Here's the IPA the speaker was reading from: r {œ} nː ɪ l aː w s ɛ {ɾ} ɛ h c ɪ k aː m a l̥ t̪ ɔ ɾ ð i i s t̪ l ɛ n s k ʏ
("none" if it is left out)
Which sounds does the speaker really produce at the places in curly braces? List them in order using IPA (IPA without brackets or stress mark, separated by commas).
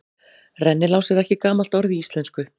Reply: ɛ, ɾ